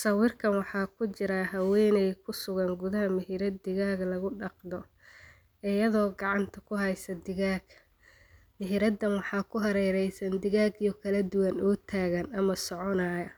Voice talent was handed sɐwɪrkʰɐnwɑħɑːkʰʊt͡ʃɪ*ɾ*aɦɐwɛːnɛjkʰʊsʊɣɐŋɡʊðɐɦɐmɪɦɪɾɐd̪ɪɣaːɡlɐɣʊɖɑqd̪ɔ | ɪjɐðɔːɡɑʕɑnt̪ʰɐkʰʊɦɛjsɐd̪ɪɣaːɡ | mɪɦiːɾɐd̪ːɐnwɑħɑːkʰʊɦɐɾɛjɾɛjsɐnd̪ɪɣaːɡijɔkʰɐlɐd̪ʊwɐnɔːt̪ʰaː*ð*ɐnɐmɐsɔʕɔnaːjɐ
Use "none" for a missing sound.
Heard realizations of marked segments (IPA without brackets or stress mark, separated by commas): ɾ, ɣ